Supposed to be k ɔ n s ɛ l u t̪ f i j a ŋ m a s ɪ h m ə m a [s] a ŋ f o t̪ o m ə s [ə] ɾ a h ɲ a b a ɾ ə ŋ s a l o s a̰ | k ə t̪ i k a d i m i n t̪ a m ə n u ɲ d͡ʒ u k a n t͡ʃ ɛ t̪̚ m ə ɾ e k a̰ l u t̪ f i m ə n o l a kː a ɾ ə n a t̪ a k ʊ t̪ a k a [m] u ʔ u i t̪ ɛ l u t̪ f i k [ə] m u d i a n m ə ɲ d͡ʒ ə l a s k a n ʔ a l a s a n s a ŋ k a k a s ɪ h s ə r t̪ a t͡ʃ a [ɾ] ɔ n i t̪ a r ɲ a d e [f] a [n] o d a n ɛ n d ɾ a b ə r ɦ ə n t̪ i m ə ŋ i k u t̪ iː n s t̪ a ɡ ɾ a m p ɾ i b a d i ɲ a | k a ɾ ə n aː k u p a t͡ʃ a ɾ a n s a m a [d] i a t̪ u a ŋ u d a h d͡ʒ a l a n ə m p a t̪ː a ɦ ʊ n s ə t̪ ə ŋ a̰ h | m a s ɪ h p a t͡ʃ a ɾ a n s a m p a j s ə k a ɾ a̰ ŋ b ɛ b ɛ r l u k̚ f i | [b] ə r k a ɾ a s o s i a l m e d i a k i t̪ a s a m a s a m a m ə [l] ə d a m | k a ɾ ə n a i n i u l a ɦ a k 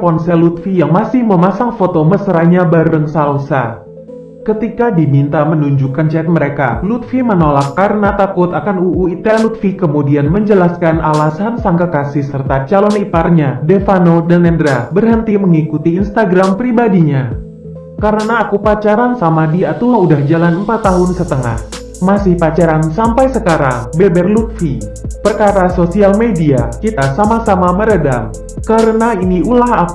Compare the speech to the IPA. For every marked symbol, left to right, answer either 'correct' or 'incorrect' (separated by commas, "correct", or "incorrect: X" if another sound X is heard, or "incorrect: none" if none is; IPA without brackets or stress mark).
correct, correct, incorrect: n, correct, incorrect: l, correct, correct, correct, incorrect: p, incorrect: ɾ